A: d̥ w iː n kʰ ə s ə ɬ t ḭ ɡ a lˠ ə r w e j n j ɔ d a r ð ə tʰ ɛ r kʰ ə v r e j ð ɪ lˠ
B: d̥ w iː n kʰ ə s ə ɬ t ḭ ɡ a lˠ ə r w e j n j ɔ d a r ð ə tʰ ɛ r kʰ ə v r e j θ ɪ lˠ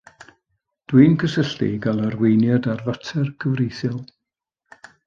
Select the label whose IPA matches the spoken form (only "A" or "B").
B